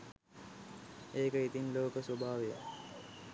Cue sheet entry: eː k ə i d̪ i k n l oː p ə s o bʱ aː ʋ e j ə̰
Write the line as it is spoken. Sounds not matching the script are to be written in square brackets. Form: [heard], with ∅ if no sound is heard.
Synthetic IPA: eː k ə i [t̪] i [∅] n l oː [k] ə s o bʱ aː ʋ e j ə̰